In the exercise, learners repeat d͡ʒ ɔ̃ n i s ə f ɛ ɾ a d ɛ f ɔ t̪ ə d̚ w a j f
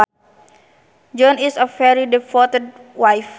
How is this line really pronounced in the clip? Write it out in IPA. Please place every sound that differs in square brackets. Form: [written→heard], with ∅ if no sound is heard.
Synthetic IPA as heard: d͡ʒ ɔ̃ n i s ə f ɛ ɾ [a→i] d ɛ f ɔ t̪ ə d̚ w a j f